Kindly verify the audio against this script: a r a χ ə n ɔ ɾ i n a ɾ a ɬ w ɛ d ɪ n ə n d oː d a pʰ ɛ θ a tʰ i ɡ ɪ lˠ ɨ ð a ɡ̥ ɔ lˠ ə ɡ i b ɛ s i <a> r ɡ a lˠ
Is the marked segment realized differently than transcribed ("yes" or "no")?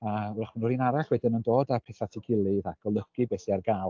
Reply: no